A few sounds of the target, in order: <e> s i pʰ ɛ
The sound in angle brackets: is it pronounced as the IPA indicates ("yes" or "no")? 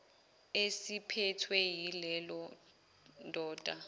yes